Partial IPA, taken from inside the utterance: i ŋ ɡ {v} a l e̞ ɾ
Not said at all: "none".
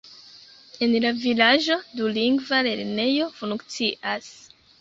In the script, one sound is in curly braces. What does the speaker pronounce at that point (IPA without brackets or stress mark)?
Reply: v